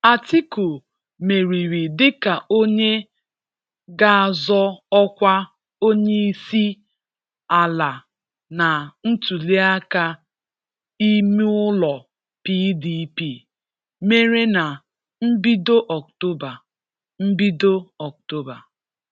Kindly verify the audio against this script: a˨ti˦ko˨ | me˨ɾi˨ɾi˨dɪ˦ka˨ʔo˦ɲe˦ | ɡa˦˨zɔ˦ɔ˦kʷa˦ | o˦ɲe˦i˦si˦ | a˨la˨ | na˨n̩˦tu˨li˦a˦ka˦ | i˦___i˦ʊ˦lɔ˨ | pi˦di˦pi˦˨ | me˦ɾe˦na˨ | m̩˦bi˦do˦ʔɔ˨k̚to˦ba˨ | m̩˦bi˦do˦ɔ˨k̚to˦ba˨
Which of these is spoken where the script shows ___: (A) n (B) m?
B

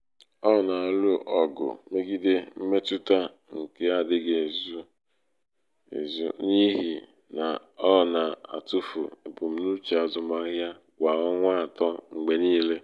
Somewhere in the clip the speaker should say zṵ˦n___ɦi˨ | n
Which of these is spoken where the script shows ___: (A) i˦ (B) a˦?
A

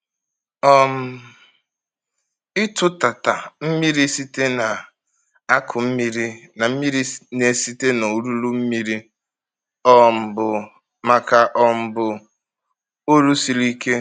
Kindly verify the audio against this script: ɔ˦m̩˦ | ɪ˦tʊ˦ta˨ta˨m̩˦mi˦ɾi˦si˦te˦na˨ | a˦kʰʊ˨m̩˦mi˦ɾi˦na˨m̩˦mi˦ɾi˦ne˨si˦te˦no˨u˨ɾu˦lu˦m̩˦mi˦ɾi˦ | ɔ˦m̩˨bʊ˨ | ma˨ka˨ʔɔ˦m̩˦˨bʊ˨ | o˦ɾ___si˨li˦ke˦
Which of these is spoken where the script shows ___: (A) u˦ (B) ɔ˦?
A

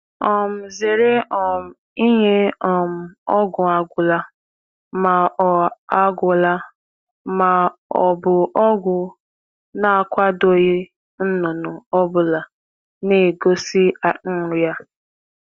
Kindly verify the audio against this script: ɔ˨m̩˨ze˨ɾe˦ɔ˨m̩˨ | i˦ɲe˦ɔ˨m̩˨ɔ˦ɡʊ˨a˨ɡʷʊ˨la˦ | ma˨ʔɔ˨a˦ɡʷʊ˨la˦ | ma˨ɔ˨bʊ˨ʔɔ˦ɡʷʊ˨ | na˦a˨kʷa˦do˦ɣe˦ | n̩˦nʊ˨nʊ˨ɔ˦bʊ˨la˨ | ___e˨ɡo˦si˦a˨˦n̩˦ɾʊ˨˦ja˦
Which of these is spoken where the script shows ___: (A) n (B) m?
A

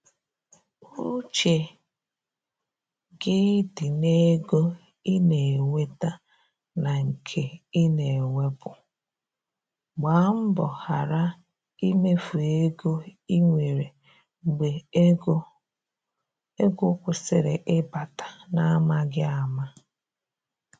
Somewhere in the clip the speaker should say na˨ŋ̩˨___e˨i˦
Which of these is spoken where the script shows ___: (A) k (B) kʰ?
B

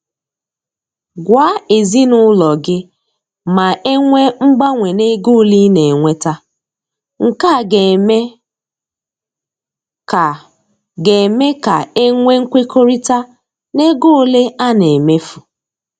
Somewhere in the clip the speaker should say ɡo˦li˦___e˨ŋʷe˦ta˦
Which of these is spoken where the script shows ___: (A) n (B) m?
A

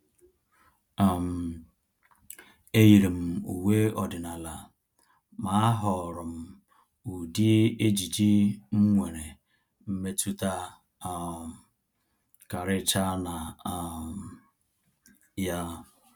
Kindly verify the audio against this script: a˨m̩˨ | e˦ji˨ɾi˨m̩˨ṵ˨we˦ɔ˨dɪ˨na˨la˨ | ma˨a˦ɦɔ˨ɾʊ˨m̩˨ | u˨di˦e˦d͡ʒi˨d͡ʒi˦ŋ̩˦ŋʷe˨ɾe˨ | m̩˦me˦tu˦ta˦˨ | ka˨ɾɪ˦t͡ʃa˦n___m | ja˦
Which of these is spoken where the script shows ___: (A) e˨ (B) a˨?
B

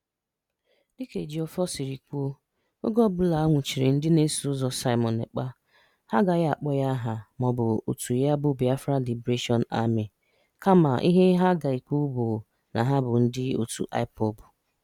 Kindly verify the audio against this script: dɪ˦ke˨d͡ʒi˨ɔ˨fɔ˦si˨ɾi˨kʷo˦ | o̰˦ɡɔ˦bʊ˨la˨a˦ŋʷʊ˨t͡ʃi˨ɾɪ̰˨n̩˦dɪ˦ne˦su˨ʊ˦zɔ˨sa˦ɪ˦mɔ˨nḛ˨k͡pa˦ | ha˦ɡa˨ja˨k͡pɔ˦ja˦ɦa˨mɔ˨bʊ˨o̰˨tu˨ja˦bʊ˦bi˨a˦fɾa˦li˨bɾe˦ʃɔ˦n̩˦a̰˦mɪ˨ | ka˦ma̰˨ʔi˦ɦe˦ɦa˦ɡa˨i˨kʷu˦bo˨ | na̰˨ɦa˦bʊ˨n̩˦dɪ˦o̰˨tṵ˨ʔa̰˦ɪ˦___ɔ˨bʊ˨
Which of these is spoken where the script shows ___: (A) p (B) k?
A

